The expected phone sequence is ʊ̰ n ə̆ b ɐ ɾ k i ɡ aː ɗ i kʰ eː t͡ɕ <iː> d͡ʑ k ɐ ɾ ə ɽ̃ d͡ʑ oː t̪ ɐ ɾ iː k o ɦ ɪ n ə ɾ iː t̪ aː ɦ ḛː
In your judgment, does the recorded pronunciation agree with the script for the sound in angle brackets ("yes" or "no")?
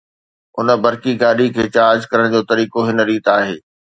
no